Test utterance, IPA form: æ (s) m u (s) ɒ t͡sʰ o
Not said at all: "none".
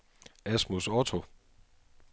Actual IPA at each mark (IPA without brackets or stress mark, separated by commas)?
s, s